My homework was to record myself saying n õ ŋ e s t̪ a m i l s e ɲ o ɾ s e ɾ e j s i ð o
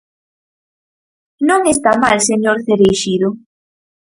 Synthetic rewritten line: n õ ŋ e s t̪ a m a l s e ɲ o ɾ θ e ɾ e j ʃ i ð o